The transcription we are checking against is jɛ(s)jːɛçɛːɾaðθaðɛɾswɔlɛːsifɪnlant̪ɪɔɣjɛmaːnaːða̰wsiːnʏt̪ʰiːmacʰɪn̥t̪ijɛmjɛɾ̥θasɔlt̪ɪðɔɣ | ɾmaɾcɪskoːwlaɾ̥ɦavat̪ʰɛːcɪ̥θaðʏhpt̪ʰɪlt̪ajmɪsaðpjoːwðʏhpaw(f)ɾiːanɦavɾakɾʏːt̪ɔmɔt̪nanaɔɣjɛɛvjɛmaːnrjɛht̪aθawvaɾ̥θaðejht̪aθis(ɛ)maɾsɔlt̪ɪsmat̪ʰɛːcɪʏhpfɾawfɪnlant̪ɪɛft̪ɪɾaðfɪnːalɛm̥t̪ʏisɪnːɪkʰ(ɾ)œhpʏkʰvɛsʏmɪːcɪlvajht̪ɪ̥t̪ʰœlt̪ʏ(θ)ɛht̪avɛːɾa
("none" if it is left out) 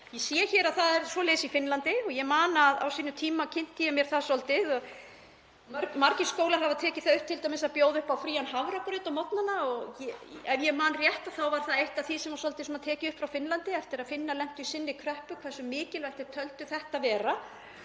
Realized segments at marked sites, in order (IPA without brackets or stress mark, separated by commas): s, f, ɛ, ɾ, θ